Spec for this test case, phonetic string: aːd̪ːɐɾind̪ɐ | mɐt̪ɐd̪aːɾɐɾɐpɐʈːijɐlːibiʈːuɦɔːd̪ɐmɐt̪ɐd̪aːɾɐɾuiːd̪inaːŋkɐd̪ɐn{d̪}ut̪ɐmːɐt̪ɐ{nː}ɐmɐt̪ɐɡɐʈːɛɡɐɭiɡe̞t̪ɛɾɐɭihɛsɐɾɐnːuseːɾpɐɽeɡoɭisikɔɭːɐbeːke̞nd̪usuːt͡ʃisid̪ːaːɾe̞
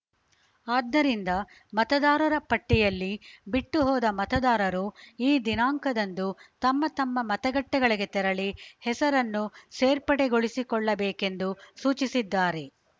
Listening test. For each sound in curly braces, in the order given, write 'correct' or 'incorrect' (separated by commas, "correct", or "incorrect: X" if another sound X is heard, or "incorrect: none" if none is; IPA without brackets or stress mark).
correct, incorrect: mː